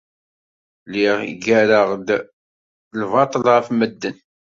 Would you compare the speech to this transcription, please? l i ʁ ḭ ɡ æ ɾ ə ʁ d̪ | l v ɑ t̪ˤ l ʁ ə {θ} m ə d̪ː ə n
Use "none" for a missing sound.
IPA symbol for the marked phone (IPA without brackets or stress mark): f